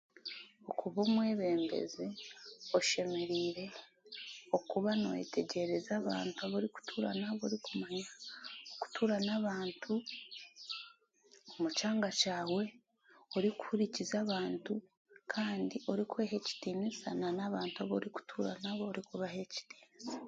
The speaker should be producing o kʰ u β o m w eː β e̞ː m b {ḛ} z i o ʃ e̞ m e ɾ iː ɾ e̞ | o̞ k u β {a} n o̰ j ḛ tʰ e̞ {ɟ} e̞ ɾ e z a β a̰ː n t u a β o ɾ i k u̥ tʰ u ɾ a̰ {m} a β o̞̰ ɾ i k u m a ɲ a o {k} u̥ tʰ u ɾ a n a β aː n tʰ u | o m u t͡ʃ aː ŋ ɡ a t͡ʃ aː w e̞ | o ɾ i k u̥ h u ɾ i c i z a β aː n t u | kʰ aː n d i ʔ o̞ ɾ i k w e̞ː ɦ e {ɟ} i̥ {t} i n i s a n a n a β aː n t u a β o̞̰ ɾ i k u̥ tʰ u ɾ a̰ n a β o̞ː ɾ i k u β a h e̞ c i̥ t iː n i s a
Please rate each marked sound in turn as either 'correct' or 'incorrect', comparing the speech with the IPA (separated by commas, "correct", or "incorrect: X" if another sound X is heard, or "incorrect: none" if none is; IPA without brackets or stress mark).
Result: correct, correct, correct, incorrect: n, correct, incorrect: c, correct